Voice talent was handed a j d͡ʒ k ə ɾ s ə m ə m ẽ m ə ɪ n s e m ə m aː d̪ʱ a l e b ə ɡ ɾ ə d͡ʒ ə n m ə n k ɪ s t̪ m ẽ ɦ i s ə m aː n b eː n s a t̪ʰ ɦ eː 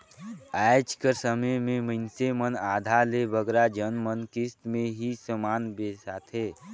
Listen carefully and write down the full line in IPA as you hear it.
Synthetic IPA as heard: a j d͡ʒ k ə ɾ s ə m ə m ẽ m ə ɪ n s e m ə n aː d̪ʱ a l e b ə ɡ ɾ a d͡ʒ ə n m ə n k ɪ s t̪ m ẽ ɦ i s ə m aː n b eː s a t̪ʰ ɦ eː

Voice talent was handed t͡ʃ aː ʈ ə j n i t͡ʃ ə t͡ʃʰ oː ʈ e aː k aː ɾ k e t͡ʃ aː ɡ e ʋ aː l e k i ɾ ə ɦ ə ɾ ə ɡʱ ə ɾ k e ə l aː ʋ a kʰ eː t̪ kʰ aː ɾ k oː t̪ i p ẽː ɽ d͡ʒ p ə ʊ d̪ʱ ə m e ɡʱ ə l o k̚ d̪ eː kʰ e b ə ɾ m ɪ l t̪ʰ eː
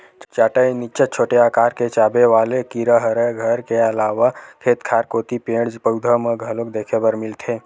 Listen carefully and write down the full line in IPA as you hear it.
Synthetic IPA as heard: t͡ʃ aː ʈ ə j n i t͡ʃ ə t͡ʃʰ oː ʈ e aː k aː ɾ k e t͡ʃ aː b e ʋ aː l e k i ɾ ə ɦ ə ɾ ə ɡʱ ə ɾ k e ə l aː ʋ a kʰ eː t̪ kʰ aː ɾ k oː t̪ i p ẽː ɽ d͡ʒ p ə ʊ d̪ʱ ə m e ɡʱ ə l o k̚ d̪ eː kʰ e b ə ɾ m ɪ l t̪ʰ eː

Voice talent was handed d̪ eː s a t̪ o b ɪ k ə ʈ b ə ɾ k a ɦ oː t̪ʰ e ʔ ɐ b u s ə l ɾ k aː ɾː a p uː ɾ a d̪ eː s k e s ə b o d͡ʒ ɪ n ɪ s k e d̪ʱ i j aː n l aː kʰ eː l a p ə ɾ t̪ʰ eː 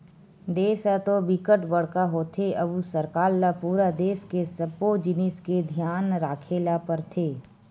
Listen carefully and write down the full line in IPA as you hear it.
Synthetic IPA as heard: d̪ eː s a t̪ o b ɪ k ə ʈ b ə ɽ k a ɦ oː t̪ʰ e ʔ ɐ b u s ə ɾ k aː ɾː a p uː ɾ a d̪ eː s k e s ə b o d͡ʒ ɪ n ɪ s k e d̪ʱ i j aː n ɾ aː kʰ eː l a p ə ɾ t̪ʰ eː

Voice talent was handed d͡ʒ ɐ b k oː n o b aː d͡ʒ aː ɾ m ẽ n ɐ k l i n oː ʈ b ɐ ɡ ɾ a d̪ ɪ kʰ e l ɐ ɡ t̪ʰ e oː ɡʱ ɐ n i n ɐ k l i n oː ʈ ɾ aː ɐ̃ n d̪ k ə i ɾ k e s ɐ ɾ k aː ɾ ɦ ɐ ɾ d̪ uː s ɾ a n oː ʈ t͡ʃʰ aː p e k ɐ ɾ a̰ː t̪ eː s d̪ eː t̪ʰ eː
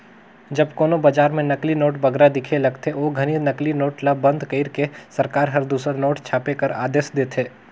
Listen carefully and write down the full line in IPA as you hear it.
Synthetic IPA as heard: d͡ʒ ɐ b k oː n o b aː d͡ʒ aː ɾ m ẽ n ɐ k l i n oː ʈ b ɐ ɡ ɾ a d̪ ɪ kʰ e l ɐ ɡ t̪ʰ e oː ɡʱ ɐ n i n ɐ k l i n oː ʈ l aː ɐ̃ n d̪ k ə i ɾ k e s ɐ ɾ k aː ɾ ɦ ɐ ɾ d̪ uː s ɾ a n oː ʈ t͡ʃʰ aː p e k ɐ ɾ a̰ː d̪ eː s d̪ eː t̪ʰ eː

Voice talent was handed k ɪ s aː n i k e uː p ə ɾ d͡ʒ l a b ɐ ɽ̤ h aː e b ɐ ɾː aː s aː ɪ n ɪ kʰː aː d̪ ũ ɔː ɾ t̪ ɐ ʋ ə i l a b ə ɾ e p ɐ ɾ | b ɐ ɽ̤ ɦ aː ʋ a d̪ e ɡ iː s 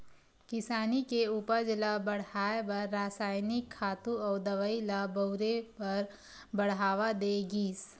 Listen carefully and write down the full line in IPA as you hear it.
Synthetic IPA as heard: k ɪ s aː n i k e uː p ə ɾ d͡ʒ l a b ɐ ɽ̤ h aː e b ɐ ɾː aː s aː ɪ n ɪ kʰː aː t̪ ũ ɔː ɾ d̪ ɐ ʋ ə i l a b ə ɾ e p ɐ ɾ | b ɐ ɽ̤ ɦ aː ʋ a d̪ e ɡ iː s

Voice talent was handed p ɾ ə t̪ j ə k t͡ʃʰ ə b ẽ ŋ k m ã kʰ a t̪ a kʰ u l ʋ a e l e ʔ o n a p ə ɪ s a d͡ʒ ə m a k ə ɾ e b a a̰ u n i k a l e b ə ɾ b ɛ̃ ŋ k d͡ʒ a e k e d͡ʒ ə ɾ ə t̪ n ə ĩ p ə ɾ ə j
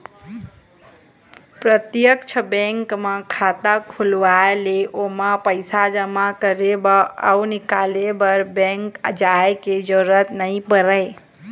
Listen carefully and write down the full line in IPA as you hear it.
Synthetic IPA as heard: p ɾ ə t̪ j ə k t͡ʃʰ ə b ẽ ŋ k m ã kʰ a t̪ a kʰ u l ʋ a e l e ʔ o m a p ə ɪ s a d͡ʒ ə m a k ə ɾ e b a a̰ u n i k a l e b ə ɾ b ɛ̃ ŋ k d͡ʒ a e k e d͡ʒ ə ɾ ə t̪ n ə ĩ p ə ɾ ə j

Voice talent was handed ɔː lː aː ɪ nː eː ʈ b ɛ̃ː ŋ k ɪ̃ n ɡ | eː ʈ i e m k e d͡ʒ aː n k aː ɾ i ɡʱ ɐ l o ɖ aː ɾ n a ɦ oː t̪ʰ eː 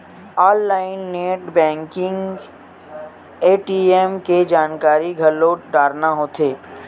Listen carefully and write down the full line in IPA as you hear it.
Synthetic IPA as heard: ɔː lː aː ɪ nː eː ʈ b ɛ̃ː ŋ k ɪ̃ ŋ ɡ | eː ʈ i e m k e d͡ʒ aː n k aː ɾ i ɡʱ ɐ l o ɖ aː ɾ n a ɦ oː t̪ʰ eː

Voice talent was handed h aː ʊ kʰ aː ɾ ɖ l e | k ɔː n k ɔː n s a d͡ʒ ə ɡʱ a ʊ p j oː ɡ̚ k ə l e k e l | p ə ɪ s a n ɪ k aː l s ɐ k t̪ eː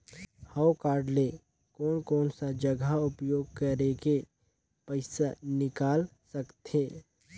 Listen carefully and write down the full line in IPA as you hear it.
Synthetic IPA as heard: h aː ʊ k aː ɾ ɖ l e | k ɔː n k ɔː n s a d͡ʒ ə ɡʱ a ʊ p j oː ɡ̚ k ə ɾ e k e | p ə ɪ s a n ɪ k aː l s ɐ k t̪ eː

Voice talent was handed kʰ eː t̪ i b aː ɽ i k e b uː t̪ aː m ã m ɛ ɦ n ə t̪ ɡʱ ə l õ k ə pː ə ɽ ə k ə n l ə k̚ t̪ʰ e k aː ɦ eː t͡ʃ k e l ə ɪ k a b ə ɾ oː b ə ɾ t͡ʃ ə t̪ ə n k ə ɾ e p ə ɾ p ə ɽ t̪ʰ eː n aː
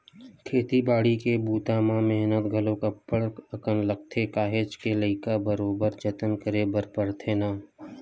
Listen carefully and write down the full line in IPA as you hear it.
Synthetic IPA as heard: kʰ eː t̪ i b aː ɽ i k e b uː t̪ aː m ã m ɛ ɦ n ə t̪ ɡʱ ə l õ k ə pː ə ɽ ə k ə n l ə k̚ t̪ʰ e k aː ɦ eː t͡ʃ k e l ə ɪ k a b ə ɾ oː b ə ɾ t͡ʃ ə t̪ ə n k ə ɾ e b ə ɾ p ə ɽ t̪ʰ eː n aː

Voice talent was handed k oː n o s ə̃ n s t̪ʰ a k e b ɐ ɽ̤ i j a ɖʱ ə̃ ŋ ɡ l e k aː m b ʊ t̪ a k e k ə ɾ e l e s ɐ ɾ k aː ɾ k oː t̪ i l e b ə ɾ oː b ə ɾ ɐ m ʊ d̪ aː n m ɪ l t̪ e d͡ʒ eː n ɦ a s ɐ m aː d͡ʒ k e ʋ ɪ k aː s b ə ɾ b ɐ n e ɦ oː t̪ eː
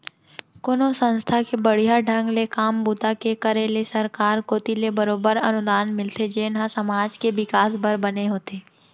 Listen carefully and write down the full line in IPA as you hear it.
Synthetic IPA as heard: k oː n o s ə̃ n s t̪ʰ a k e b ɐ ɽ̤ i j a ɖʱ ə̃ ŋ ɡ l e k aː m b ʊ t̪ a k e k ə ɾ e l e s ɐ ɾ k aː ɾ k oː t̪ i l e b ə ɾ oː b ə ɾ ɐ n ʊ d̪ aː n m ɪ l t̪ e d͡ʒ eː n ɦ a s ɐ m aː d͡ʒ k e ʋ ɪ k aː s b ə ɾ b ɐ n e ɦ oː t̪ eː

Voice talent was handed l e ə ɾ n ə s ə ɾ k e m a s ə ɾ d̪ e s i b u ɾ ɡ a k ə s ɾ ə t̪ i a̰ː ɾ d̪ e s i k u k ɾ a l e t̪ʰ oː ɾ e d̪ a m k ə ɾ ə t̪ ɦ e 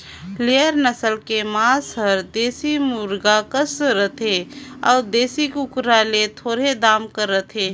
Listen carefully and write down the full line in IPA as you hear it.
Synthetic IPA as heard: l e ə ɾ n ə s ə l k e m a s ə ɾ d̪ e s i m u ɾ ɡ a k ə s ɾ ə t̪ e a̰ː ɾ d̪ e s i k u k ɾ a l e t̪ʰ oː ɾ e d̪ a m k ə ɾ ə t̪ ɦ e

